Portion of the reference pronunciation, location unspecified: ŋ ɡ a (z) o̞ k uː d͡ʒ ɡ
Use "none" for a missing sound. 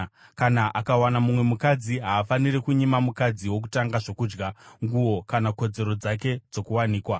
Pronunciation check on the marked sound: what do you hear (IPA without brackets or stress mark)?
ʐ